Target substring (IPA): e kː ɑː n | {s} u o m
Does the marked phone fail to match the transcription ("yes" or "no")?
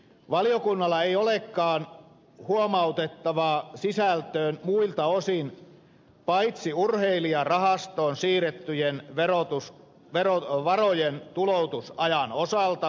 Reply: yes